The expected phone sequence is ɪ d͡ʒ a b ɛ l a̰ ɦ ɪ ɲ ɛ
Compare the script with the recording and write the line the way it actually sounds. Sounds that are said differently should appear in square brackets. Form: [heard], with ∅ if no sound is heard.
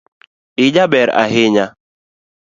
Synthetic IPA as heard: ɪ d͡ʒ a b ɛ [ɾ] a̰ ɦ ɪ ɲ [a]